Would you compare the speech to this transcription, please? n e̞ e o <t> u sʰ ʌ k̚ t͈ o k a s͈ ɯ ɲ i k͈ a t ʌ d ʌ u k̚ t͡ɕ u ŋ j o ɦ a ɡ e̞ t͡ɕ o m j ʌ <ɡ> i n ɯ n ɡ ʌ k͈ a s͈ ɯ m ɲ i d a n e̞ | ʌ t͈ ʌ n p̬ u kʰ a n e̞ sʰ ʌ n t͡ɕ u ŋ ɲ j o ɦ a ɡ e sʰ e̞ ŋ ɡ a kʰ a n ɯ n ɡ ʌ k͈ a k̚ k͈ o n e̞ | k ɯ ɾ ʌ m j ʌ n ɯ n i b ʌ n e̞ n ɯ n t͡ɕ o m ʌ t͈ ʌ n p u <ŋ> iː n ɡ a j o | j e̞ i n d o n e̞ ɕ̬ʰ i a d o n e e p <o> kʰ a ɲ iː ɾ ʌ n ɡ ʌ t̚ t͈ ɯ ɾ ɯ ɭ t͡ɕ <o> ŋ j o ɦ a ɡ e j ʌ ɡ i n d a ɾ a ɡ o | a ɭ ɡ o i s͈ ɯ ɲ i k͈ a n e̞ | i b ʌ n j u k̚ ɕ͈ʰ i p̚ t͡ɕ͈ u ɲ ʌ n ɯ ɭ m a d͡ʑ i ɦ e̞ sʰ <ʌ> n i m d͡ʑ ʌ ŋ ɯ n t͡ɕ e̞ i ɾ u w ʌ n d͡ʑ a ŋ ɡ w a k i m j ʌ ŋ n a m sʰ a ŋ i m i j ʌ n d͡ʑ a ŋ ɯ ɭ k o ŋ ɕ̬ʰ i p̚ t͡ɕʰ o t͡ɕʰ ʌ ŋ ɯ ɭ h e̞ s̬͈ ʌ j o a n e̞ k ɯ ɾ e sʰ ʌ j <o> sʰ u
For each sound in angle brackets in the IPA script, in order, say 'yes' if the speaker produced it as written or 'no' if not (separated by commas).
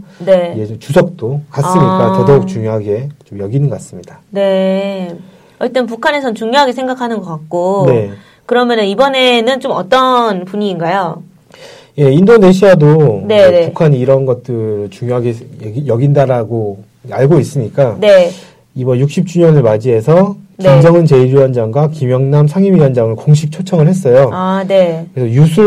no, yes, no, no, no, yes, no